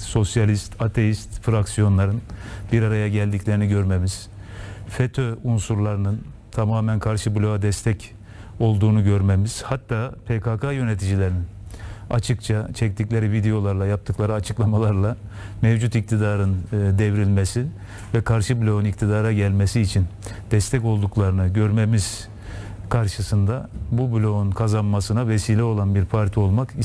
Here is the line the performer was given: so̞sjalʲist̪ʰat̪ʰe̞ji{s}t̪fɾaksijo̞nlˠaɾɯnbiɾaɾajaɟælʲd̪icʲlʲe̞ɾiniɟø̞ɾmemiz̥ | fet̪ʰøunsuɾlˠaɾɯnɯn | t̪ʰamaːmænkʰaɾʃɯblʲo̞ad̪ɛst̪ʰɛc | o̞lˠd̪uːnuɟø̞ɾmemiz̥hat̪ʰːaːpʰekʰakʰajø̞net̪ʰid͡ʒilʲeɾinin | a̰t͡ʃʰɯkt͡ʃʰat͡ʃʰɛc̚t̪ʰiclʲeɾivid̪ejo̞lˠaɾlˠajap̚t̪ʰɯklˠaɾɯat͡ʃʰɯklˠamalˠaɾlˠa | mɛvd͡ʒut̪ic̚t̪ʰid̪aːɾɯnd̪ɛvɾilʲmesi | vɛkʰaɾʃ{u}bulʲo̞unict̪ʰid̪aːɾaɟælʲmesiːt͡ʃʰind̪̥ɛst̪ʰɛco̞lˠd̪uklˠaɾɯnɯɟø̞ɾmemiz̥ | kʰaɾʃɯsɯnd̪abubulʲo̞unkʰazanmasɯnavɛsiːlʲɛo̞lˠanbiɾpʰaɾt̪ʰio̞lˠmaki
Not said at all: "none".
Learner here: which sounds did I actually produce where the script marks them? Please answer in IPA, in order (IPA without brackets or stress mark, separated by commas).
s, ɯ